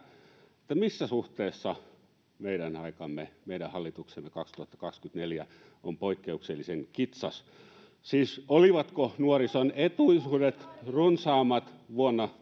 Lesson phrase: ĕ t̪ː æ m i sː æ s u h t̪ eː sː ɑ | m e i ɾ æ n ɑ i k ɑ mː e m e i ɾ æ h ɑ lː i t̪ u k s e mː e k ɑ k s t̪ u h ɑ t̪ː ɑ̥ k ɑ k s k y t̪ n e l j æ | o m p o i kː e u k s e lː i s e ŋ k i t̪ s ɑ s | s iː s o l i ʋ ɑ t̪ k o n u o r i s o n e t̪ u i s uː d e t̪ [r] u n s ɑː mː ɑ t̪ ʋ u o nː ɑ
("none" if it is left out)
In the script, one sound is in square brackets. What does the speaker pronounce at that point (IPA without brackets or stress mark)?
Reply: r